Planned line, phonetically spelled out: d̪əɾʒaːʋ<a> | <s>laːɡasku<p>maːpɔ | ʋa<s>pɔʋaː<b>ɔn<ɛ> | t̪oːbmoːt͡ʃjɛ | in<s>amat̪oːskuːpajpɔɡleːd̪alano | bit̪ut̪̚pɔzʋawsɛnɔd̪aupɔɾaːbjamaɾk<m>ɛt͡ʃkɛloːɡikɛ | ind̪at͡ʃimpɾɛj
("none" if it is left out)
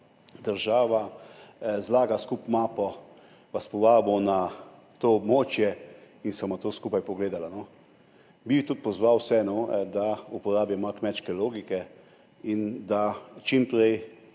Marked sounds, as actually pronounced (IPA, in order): a, z, p, s, b, a, s, m

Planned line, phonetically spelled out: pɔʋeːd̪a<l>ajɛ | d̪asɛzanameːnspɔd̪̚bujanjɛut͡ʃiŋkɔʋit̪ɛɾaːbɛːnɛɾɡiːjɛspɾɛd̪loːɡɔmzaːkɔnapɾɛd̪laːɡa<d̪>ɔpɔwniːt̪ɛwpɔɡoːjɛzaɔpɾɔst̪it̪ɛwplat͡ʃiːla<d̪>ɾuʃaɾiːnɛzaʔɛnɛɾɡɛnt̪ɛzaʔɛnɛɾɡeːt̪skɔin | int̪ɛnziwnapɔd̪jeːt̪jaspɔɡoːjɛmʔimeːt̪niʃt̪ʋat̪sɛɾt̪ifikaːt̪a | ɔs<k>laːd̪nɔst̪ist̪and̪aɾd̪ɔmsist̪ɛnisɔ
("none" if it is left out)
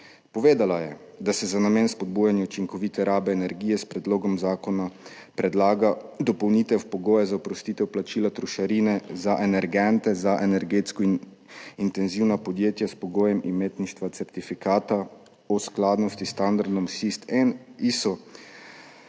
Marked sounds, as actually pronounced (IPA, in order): l, d̪, t̪, k

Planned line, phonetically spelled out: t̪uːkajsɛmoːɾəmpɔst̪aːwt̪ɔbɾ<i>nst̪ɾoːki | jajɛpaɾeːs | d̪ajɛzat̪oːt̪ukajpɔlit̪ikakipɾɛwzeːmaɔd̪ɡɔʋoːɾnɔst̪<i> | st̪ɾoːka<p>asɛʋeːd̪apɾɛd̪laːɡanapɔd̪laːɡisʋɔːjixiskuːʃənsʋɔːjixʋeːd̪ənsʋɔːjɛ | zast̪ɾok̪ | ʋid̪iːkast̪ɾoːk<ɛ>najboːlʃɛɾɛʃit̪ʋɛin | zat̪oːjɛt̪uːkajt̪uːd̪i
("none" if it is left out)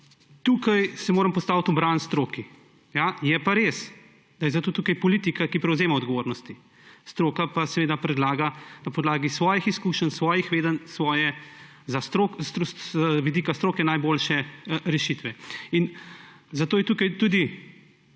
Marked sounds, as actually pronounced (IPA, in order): a, i, p, ɛ

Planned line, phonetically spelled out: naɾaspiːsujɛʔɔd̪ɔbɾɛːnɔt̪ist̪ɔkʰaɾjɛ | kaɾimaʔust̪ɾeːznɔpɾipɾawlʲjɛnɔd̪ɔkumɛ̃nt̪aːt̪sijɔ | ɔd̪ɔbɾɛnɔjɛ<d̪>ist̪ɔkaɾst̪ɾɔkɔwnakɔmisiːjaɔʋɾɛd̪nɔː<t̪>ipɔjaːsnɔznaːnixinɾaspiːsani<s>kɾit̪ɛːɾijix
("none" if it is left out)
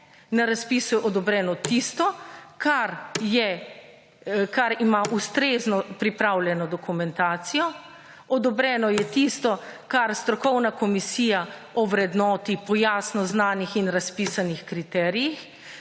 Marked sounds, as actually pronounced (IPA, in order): t̪, t̪, x

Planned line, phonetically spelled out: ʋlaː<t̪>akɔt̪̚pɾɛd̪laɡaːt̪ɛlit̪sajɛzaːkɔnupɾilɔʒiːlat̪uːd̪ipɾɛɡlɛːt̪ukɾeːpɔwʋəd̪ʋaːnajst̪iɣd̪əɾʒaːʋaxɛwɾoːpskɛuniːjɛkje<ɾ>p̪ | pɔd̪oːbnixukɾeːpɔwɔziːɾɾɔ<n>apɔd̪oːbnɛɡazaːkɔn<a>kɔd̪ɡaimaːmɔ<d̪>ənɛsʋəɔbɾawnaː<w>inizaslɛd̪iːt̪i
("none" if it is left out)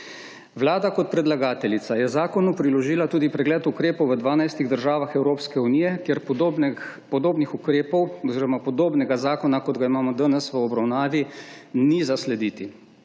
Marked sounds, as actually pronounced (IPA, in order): d̪, ɾ, m, a, d̪, ʋ

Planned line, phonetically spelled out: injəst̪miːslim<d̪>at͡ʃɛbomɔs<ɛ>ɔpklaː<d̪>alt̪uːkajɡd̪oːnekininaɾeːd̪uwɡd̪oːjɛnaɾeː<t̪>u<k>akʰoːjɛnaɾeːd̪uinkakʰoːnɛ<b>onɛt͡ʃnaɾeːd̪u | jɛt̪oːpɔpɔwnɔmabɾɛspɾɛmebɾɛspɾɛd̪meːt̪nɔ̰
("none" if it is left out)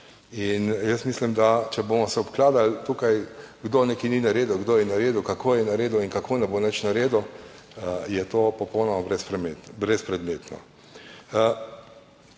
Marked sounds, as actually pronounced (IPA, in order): d̪, ɛ, d̪, d̪, k, b

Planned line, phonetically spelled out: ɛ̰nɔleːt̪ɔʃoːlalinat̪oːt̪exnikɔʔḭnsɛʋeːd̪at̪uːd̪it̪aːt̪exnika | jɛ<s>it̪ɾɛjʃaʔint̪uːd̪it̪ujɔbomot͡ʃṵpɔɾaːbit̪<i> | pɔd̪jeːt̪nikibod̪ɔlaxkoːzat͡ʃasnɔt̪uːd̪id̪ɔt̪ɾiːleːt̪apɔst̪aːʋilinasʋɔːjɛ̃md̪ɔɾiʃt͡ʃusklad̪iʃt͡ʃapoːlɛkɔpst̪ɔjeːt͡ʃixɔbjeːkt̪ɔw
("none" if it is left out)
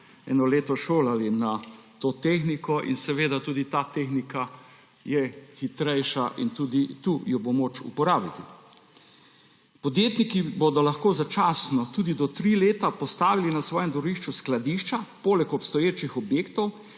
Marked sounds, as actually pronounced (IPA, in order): x, i

